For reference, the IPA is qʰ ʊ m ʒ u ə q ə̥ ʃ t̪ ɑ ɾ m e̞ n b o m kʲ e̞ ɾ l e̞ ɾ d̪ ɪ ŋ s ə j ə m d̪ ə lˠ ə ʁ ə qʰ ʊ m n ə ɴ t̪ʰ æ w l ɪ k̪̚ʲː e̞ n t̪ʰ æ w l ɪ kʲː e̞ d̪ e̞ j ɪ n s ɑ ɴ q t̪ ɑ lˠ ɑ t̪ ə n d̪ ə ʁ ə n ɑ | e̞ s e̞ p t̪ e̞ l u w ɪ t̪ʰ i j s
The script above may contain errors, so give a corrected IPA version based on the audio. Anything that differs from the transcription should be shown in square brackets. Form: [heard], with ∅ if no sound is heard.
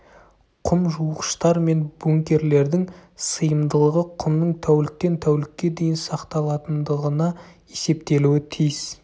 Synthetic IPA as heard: qʰ ʊ m ʒ u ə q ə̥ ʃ t̪ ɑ ɾ m e̞ n b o [ŋ] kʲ e̞ ɾ l e̞ ɾ d̪ ɪ ŋ s ə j ə m d̪ ə lˠ ə ʁ ə qʰ ʊ m n ə ɴ t̪ʰ æ w l ɪ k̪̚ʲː e̞ n t̪ʰ æ w l ɪ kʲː e̞ d̪ e̞ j ɪ n s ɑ [∅] q t̪ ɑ lˠ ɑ t̪ ə n d̪ ə ʁ ə n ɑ | e̞ s e̞ p t̪ e̞ l u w ɪ t̪ʰ i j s

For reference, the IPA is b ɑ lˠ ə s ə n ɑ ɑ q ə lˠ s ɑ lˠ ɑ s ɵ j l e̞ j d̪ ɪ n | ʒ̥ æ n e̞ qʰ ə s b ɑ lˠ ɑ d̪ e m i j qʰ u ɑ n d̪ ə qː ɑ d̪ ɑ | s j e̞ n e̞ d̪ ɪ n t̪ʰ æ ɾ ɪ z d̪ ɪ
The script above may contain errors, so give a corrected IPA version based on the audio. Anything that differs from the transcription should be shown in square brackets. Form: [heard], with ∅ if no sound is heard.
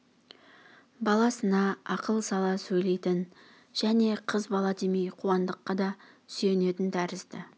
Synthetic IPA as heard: b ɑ lˠ [ɑ] s ə n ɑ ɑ q ə lˠ s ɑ lˠ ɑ s ɵ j l e̞ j [t̪] ɪ n | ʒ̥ æ n e̞ qʰ ə [z] b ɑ lˠ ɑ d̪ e m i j qʰ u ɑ n d̪ ə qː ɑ d̪ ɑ | s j e̞ n e̞ [t̪] ɪ n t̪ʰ æ ɾ ɪ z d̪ ɪ

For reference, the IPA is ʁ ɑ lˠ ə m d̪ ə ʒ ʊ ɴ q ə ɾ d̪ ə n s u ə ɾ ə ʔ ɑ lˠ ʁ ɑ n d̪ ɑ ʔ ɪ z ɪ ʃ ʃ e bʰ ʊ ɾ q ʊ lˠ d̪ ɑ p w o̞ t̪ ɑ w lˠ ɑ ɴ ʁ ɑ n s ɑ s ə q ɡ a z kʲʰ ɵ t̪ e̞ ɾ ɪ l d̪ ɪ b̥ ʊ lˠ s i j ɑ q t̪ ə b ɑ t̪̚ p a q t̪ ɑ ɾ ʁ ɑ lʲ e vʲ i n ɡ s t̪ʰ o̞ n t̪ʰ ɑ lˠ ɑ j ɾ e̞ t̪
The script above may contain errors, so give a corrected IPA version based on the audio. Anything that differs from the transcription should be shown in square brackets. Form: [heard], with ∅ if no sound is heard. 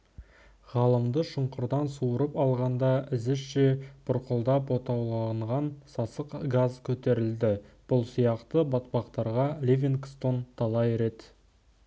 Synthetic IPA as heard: ʁ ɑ lˠ ə m d̪ ə [ʃ] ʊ ɴ q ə ɾ d̪ [ɑ] n s u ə ɾ ə [p] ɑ lˠ ʁ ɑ n d̪ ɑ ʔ ɪ z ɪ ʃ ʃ e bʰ ʊ ɾ q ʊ lˠ d̪ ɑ p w o̞ t̪ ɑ w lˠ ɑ ɴ ʁ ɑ n s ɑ s ə q ɡ a z kʲʰ ɵ t̪ e̞ ɾ ɪ l d̪ ɪ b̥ ʊ lˠ s i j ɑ q t̪ ə b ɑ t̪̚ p [ɑ] q t̪ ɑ ɾ ʁ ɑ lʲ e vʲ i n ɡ s [t̪] o̞ n t̪ʰ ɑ lˠ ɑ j ɾ e̞ t̪

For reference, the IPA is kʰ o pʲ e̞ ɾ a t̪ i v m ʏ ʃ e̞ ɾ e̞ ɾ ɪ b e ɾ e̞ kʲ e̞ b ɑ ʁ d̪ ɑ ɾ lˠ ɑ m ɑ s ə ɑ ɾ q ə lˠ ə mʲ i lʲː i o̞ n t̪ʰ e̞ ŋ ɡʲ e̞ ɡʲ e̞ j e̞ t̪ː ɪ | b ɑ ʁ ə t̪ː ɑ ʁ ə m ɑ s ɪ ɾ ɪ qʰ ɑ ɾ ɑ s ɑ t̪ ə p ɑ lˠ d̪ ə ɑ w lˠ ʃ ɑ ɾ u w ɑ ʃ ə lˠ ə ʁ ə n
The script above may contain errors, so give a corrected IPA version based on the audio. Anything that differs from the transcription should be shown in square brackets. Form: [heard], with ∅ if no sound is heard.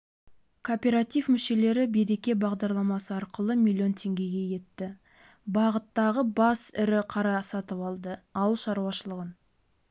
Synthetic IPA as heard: kʰ o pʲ e̞ ɾ a t̪ i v m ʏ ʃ e̞ [l] e̞ ɾ ɪ b e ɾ e̞ kʲ e̞ b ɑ ʁ d̪ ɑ ɾ lˠ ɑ m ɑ s ə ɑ ɾ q ə lˠ ə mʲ i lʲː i o̞ n t̪ʰ e̞ ŋ ɡʲ e̞ ɡʲ e̞ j e̞ t̪ː ɪ | b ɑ ʁ ə t̪ː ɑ ʁ ə [b] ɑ s ɪ ɾ ɪ qʰ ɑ ɾ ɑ s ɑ t̪ ə p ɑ lˠ d̪ ə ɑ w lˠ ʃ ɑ ɾ u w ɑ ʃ ə lˠ ə ʁ ə n

